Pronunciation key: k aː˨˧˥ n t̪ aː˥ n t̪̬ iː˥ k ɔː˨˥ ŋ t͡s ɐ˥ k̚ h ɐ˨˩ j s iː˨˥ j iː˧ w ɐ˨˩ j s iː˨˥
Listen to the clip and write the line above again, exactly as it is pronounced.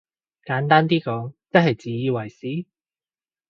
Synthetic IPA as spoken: k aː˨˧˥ n t̪ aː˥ n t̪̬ iː˥ k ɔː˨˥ ŋ t͡s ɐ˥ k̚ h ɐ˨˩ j t͡s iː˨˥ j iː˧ w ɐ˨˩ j s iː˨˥